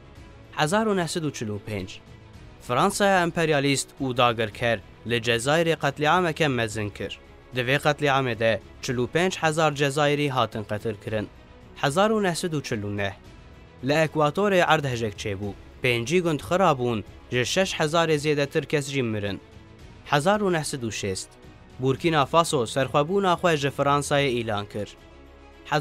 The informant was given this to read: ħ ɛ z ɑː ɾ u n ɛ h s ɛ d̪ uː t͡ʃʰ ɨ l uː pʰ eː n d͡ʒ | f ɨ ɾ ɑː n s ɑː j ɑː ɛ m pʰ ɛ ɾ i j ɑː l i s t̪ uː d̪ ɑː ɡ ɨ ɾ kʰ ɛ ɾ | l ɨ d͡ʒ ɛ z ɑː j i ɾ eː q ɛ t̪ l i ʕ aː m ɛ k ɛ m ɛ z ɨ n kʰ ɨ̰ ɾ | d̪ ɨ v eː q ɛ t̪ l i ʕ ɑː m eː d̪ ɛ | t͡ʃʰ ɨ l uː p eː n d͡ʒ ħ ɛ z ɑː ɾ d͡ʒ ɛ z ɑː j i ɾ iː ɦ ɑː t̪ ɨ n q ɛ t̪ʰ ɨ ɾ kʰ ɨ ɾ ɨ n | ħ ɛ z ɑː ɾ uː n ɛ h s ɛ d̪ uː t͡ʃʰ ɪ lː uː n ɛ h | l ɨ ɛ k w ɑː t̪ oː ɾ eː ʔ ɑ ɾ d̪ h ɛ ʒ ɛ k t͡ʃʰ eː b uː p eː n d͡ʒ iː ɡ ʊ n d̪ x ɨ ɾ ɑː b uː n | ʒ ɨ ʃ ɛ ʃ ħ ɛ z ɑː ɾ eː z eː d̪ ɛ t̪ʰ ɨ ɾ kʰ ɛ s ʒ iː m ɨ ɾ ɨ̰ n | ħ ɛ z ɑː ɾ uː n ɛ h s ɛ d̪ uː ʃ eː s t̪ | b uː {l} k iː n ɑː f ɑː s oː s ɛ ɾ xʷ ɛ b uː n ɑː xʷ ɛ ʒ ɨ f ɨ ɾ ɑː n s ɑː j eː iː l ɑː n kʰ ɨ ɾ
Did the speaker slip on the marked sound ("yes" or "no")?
yes